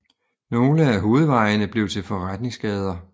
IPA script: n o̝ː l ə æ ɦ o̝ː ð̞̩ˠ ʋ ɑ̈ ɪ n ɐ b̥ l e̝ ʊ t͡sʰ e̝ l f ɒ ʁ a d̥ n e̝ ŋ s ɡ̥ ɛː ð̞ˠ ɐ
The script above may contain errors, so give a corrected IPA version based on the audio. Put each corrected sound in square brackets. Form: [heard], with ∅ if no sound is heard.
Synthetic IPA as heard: n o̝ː l ə æ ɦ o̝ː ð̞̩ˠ ʋ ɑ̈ ɪ n [ə] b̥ l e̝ ʊ t͡sʰ e̝ l f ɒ ʁ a d̥ n e̝ ŋ s ɡ̥ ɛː ð̞ˠ ɐ